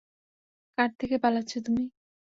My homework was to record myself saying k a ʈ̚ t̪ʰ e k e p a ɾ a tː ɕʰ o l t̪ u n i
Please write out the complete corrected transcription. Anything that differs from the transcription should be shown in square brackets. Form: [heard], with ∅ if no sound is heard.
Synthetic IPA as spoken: k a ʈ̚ t̪ʰ e k e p a [l] a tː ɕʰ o [∅] t̪ u [m] i